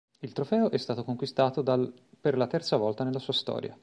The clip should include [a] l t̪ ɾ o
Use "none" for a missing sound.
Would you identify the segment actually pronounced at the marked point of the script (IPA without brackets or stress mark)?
i